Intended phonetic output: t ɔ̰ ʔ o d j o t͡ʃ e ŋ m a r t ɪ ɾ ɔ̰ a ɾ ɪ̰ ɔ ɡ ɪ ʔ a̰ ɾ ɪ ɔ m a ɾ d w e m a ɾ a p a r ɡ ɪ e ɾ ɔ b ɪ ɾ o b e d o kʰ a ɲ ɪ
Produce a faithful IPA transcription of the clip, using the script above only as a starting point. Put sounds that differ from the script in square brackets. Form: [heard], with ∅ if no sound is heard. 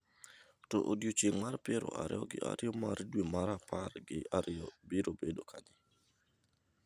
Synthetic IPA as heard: t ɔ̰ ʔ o d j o t͡ʃ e ŋ m a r [p] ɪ ɾ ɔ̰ a ɾ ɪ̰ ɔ ɡ ɪ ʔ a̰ ɾ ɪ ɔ m a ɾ d w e m a ɾ a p a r ɡ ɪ [a] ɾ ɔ b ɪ ɾ o b e d o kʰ a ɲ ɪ

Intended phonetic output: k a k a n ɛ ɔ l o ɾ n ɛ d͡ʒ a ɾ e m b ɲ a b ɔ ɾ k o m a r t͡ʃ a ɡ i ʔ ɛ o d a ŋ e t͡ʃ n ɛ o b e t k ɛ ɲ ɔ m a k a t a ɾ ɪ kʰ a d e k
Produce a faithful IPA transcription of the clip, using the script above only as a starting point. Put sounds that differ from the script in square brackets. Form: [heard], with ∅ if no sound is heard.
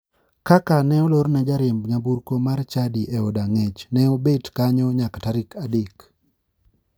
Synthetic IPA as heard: k a k a n ɛ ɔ l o ɾ n ɛ d͡ʒ a ɾ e m b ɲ a b [u] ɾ k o m a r t͡ʃ a [d] i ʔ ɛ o d a ŋ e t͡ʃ n ɛ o b e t k [a] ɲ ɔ [ɲ] a k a t a ɾ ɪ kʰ a d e k

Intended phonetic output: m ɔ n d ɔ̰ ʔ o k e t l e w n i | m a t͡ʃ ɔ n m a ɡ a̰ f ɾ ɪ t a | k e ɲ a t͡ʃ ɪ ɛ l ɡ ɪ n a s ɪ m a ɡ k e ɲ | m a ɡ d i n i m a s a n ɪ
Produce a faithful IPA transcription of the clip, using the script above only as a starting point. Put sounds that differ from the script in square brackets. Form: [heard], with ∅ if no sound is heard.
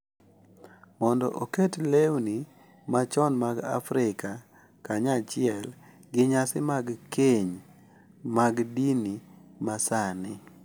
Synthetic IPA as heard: m ɔ n d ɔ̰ ʔ o k e t l e w n i | m a t͡ʃ ɔ n m a ɡ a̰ f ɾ ɪ [k] a | k [a] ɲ a t͡ʃ ɪ ɛ l ɡ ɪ [ɲ] a s ɪ m a ɡ k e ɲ | m a ɡ d i n i m a s a n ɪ

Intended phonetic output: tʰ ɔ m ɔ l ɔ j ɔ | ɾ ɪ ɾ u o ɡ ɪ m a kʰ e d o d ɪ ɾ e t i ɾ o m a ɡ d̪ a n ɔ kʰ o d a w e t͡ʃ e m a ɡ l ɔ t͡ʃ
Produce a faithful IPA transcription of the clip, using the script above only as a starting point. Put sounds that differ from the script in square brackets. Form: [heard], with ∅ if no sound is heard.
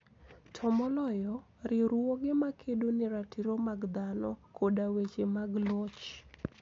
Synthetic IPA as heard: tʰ ɔ m ɔ l ɔ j ɔ | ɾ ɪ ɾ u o ɡ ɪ m a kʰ e d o [n] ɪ ɾ [a] t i ɾ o m a ɡ d̪ a n ɔ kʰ o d a w e t͡ʃ e m a ɡ l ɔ t͡ʃ

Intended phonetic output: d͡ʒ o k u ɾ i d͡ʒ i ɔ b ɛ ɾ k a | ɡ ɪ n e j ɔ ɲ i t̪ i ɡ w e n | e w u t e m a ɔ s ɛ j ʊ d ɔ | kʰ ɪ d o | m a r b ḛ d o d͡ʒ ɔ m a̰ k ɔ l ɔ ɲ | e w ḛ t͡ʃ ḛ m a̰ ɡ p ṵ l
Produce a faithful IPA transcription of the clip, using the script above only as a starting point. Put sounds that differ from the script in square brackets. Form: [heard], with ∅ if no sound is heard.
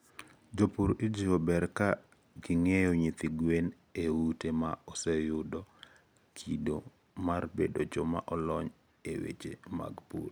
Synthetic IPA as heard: d͡ʒ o [p] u ɾ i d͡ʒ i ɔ b ɛ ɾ k a | ɡ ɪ [ŋ] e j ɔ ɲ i t̪ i ɡ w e n | e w u t e m a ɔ s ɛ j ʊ d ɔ | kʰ [i] d o | m a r b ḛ d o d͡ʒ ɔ m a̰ [ʔ] ɔ l ɔ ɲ | e w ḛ t͡ʃ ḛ m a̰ ɡ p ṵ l

